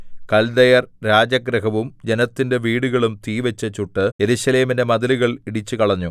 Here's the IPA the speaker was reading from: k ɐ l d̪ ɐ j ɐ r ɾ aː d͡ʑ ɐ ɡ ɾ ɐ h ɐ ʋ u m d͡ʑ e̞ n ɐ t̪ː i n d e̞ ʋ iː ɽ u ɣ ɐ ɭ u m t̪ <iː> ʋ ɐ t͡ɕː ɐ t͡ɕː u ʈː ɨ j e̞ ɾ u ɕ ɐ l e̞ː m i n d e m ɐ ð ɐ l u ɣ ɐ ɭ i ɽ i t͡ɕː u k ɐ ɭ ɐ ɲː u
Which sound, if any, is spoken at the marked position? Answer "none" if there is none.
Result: iː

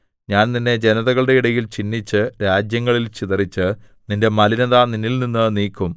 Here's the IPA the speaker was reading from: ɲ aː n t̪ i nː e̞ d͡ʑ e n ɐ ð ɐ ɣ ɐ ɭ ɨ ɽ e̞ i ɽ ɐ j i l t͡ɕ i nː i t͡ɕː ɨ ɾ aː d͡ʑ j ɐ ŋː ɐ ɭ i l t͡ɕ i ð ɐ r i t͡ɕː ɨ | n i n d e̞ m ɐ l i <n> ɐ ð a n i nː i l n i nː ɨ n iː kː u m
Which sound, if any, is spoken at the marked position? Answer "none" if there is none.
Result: n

